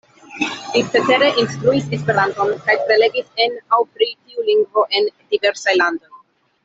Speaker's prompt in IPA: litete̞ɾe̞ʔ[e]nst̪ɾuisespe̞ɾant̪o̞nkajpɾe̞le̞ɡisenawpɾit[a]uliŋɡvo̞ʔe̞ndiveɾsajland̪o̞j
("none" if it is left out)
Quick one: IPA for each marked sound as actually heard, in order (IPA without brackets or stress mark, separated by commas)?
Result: i, i